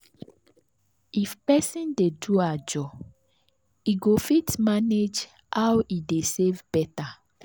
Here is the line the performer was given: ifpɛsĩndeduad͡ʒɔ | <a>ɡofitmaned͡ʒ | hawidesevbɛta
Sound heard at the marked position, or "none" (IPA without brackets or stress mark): i